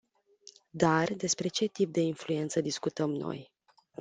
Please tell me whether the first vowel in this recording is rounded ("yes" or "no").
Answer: no